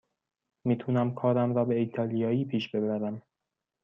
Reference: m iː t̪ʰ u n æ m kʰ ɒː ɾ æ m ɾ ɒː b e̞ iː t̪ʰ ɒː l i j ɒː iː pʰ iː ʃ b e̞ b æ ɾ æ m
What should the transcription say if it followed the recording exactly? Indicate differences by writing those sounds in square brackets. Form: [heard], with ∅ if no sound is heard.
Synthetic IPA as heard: m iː t̪ʰ u n æ m kʰ ɒː ɾ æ m ɾ ɒː b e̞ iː t̪ʰ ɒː l i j ɒː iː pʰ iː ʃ b e̞ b æ ɾ æ m